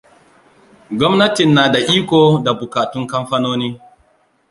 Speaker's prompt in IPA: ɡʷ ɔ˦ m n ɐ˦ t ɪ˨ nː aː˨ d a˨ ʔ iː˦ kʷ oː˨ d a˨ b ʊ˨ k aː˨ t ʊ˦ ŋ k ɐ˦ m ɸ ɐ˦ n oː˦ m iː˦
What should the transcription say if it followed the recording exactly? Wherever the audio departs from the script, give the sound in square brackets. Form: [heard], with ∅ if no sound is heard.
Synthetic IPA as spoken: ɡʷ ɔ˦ m n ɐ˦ t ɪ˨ nː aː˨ d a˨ ʔ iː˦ kʷ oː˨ d a˨ b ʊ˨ k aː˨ t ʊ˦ ŋ k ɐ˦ m ɸ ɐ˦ n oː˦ [n] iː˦